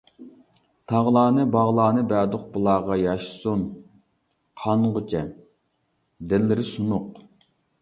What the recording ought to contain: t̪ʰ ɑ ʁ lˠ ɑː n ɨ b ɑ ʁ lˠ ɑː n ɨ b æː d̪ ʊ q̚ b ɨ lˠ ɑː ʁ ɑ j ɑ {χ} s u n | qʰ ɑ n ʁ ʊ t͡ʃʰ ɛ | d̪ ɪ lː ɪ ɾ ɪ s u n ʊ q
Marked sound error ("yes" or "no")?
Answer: yes